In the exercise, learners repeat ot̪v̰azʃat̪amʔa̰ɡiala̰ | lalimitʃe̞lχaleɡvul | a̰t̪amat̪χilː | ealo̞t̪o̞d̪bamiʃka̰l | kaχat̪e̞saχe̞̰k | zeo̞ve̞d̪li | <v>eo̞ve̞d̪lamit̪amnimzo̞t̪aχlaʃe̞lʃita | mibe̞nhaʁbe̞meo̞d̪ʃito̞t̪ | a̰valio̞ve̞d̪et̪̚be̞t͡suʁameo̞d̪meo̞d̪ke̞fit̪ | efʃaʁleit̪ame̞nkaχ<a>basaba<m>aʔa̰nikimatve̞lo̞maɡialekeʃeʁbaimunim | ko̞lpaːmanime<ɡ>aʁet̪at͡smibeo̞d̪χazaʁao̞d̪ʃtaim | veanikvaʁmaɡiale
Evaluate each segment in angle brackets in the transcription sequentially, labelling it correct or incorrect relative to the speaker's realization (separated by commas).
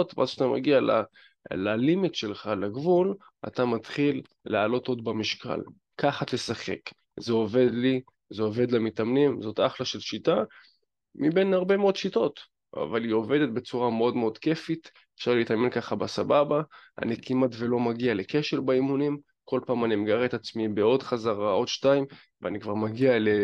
incorrect, correct, incorrect, correct